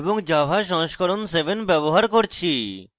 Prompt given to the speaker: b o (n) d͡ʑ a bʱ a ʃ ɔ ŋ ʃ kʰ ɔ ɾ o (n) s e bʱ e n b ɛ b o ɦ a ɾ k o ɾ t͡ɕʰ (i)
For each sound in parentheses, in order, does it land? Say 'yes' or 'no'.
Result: no, yes, yes

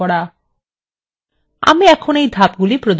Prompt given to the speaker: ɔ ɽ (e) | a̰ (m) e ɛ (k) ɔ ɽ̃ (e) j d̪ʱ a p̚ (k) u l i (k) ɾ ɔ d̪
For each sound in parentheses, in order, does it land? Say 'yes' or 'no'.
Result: no, yes, no, yes, no, no

